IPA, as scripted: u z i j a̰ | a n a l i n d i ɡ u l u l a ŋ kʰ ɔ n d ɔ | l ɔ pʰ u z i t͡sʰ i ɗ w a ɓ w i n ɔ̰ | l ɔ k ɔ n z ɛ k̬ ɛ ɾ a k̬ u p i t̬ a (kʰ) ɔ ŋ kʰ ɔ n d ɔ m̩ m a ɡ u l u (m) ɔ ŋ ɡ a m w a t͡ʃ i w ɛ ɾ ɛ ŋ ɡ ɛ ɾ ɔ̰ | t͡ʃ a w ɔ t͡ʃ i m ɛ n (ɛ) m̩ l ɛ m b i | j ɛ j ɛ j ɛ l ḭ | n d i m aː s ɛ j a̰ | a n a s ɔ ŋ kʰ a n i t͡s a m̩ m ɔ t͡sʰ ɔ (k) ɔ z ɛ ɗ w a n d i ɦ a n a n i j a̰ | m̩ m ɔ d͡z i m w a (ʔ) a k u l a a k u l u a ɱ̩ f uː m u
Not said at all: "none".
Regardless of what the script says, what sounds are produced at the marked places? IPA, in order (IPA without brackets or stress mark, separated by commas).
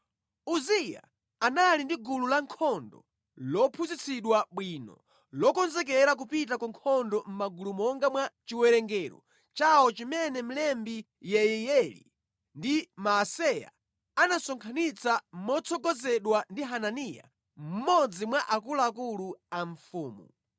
k, m, ɛ, ɡ, ʔ